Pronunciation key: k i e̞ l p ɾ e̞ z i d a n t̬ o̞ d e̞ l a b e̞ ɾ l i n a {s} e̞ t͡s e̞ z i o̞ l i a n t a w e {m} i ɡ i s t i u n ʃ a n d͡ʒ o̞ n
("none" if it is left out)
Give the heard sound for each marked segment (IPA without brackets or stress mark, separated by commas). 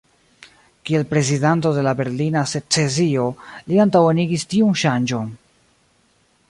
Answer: s, n